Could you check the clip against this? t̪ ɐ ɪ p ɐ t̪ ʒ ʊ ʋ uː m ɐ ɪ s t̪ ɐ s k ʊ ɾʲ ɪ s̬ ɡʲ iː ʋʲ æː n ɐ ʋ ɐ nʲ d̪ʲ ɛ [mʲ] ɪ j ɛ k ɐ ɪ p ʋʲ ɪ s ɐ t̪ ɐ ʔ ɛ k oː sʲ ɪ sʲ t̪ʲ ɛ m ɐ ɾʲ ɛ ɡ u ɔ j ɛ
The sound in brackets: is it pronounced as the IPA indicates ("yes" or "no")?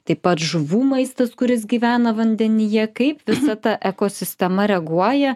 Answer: no